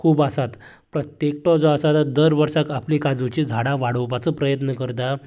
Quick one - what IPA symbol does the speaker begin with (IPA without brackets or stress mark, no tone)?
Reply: kʰ